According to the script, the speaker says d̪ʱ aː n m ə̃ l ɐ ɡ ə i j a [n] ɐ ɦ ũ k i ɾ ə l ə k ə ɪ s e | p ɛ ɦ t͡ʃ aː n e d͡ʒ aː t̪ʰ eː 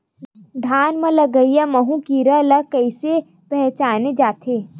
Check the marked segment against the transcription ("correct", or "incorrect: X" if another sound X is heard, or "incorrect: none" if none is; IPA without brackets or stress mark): incorrect: m